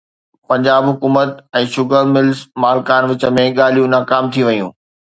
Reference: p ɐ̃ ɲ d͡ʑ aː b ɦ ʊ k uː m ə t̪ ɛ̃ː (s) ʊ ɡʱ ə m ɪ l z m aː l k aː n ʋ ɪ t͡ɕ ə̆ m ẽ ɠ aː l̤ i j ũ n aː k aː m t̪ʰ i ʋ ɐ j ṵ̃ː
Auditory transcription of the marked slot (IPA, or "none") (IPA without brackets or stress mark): ʃ